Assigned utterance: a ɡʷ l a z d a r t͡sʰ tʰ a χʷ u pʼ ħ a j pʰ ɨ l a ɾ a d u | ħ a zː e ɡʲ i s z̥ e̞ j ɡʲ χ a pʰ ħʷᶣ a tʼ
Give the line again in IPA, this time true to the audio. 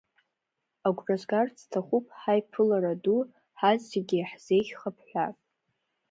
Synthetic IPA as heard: a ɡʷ r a z ɡ a r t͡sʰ tʰ a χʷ u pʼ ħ a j pʰ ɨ l a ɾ a d u | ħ a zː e ɡʲ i ħ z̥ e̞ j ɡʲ χ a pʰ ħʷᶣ a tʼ